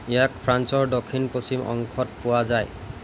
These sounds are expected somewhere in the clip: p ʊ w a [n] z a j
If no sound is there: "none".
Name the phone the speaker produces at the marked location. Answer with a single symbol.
none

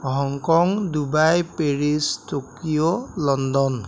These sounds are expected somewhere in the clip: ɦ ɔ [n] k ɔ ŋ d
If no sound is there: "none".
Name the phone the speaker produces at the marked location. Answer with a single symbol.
ŋ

